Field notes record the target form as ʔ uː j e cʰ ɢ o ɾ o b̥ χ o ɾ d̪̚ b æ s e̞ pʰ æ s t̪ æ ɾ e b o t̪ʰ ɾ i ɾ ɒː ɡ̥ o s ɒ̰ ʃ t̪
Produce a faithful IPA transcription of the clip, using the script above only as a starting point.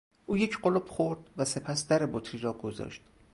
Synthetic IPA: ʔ uː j e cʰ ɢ o l o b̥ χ o ɾ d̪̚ v æ s e̞ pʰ æ s d̪ æ ɾ e b o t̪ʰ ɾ i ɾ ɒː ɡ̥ o z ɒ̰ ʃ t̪